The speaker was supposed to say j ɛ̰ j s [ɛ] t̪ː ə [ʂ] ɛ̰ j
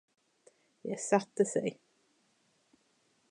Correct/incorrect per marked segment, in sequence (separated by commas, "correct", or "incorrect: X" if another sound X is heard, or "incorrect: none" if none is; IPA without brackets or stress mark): incorrect: a, incorrect: s